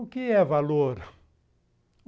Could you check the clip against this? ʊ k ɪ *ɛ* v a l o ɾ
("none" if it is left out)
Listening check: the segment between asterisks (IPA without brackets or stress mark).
ɛ